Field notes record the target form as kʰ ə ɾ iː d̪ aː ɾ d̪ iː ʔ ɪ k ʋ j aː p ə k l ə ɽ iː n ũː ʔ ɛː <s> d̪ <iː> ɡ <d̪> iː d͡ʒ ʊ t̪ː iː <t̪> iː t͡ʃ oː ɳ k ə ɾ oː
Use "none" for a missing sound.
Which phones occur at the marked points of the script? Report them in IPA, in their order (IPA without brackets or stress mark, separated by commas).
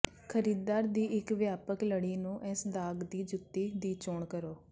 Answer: s, aː, d̪, d̪